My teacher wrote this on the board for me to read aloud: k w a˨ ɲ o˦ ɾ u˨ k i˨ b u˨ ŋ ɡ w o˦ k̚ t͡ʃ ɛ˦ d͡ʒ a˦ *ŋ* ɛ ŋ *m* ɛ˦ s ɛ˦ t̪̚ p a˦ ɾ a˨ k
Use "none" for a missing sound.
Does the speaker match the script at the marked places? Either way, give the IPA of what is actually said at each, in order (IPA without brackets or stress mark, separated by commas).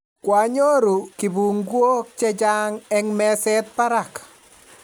ŋ, m